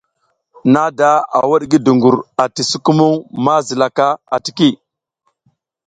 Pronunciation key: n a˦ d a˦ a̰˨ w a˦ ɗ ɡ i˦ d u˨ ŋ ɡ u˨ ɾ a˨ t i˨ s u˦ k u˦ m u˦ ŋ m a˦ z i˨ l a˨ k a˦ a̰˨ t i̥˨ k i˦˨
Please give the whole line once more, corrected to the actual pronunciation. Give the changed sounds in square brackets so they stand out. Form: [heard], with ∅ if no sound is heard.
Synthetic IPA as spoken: n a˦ d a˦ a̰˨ w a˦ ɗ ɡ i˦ d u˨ ŋ ɡ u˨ ɾ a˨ t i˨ s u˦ k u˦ m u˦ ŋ m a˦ z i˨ l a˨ k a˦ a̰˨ t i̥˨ k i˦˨

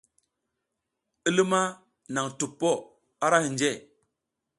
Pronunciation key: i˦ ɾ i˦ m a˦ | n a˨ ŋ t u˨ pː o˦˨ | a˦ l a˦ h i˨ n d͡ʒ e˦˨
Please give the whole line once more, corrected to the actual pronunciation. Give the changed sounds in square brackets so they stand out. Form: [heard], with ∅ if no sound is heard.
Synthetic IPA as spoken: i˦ [l] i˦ m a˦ | n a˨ ŋ t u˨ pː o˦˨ | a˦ [ɾ] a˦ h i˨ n d͡ʒ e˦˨

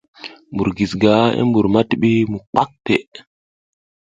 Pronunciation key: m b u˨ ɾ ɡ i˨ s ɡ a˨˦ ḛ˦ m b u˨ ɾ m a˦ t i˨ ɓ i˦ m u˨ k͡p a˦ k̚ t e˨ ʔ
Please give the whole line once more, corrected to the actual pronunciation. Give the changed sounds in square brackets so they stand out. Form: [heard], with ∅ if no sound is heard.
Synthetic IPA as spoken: m b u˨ ɾ ɡ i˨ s ɡ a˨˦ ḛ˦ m b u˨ ɾ m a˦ t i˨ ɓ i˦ m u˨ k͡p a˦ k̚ t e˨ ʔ

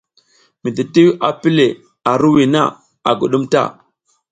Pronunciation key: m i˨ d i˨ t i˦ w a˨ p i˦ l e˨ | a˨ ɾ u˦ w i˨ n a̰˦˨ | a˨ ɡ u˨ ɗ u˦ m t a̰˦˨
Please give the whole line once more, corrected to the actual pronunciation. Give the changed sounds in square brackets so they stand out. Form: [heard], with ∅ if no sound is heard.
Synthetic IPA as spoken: m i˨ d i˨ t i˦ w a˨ p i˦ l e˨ | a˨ ɾ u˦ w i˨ n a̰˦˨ | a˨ ɡ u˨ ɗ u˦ m t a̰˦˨

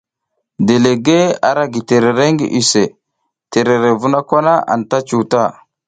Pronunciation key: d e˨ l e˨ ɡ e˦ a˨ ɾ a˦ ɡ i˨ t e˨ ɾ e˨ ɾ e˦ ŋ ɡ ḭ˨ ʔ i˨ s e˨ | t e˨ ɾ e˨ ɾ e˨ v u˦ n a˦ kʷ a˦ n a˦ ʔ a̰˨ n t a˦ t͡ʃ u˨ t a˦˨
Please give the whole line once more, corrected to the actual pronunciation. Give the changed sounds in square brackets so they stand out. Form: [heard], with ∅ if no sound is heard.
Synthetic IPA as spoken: d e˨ l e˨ ɡ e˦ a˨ ɾ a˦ ɡ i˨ t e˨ ɾ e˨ ɾ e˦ ŋ ɡ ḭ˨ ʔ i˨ s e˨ | t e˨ ɾ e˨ ɾ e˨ v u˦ n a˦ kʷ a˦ n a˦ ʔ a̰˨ n t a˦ t͡ʃ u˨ t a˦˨

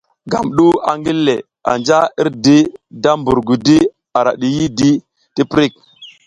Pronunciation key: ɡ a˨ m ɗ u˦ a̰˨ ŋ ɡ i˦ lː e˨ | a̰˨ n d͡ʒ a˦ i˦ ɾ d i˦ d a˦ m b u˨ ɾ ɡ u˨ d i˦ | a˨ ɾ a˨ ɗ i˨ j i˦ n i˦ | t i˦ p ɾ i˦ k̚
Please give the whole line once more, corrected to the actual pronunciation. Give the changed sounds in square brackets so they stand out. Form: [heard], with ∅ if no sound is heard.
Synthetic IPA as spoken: ɡ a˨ m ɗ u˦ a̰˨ ŋ ɡ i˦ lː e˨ | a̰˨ n d͡ʒ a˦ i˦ ɾ d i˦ d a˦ m b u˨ ɾ ɡ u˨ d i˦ | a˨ ɾ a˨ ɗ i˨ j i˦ [d] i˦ | t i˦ p ɾ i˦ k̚

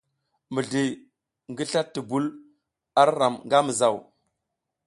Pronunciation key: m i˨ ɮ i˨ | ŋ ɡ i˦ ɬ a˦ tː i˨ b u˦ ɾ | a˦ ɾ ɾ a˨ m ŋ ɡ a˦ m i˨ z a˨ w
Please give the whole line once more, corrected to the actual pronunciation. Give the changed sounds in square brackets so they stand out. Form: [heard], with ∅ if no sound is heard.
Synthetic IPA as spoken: m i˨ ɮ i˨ | ŋ ɡ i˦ ɬ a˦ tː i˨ b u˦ [l] | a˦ ɾ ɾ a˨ m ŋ ɡ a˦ m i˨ z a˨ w

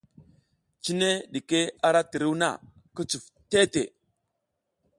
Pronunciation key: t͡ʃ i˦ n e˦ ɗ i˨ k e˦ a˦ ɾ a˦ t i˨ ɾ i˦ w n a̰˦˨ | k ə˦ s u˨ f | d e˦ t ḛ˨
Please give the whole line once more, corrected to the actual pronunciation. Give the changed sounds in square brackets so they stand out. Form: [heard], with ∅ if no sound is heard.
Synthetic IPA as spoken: t͡ʃ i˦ n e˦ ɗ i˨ k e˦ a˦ ɾ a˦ t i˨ ɾ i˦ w n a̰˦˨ | k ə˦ [t͡s] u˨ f | [t] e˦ t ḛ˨

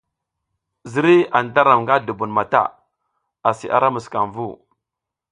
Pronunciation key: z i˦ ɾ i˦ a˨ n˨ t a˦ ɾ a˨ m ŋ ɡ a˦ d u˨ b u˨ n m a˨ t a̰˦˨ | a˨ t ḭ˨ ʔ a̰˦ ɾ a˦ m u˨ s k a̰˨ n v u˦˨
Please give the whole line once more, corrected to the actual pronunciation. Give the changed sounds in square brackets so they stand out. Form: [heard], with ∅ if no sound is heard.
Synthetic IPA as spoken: z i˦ ɾ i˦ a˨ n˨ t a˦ ɾ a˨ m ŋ ɡ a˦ d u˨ b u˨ n m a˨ t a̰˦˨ | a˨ [s] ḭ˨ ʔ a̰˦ ɾ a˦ m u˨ s k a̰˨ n v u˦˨

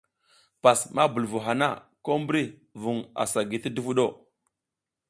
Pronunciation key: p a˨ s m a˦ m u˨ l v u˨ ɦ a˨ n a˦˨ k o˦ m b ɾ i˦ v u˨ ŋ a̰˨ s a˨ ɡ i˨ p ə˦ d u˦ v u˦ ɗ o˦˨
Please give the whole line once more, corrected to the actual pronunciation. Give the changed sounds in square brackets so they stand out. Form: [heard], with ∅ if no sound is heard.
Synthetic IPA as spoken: p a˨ s m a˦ [b] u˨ l v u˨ ɦ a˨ n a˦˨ k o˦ m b ɾ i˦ v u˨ ŋ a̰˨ s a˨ ɡ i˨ [t] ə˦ d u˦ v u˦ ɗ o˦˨

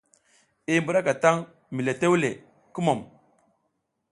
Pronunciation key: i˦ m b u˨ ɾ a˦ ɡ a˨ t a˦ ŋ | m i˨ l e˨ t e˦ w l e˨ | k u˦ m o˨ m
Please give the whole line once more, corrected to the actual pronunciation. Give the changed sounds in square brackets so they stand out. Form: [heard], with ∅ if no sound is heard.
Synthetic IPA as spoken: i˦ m b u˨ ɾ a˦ [k] a˨ t a˦ ŋ | m i˨ l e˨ t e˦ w l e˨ | k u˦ m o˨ m

